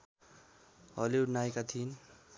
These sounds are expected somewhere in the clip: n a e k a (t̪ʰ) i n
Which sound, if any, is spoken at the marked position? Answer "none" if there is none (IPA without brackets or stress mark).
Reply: t̪ʰ